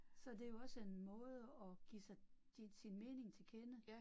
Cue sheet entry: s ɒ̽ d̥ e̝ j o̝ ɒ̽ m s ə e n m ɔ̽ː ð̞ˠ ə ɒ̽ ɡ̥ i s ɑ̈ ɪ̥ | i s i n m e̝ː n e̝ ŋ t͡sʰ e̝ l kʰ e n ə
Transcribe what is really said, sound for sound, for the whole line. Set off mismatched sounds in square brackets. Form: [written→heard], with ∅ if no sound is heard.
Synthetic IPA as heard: s ɒ̽ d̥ e̝ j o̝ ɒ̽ [m→∅] s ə e n m ɔ̽ː ð̞ˠ ə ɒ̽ ɡ̥ i s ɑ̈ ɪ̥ | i s i n m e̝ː n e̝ ŋ t͡sʰ e̝ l kʰ e n ə